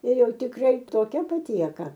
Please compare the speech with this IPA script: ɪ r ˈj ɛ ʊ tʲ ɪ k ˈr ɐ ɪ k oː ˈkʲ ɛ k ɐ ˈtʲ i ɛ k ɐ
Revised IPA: ɪ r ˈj ɛ ʊ tʲ ɪ k ˈr ɐ ɪ t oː ˈkʲ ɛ p ɐ ˈtʲ i ɛ k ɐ

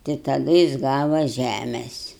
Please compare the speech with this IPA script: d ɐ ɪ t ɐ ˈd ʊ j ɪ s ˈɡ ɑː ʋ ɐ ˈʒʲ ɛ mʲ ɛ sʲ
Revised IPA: t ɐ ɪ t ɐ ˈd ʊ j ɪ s ˈɡ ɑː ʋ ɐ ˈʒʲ æ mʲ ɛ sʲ

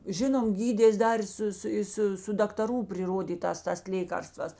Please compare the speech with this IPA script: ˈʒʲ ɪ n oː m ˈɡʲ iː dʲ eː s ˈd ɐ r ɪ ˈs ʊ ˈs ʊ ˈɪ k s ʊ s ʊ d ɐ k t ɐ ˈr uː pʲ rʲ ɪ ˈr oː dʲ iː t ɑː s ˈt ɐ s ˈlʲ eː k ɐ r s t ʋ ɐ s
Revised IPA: ˈʒʲ ɪ n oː m ˈɡʲ iː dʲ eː s ˈd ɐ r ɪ ˈs ʊ ˈs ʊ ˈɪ s ʊ s ʊ d ɐ k t ɐ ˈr uː pʲ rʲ ɪ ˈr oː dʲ iː t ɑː s ˈt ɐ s ˈlʲ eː k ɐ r s t ʋ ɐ s

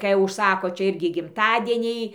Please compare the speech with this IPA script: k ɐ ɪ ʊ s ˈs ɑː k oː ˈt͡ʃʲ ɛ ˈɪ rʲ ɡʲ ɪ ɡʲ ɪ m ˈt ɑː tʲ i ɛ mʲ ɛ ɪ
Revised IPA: k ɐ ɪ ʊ ʃ ˈs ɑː k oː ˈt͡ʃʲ ɛ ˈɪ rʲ ɡʲ ɪ ɡʲ ɪ m ˈt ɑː dʲ i ɛ nʲ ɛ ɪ

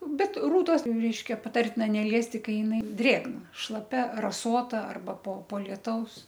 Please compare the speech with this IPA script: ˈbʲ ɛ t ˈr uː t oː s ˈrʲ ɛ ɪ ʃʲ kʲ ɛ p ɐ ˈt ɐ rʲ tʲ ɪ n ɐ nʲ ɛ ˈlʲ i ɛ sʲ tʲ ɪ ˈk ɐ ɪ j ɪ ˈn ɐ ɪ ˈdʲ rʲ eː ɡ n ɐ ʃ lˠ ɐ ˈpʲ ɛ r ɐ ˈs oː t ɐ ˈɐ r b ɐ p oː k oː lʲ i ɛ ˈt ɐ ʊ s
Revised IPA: ˈbʲ ɛ t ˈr uː t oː s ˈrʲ ɛ ɪ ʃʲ kʲ ɛ p ɐ ˈt ɐ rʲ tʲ ɪ n ɐ nʲ ɛ ˈlʲ i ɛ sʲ tʲ ɪ ˈk ɐ ɪ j ɪ ˈn ɐ ɪ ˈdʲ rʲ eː ɡ n ɐ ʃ lˠ ɐ ˈpʲ ɛ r ɐ ˈs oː t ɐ ˈɐ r b ɐ p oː p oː lʲ i ɛ ˈt ɐ ʊ s

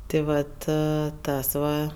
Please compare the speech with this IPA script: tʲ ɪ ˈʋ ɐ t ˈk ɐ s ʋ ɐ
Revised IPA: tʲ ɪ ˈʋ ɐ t ˈt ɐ s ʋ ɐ

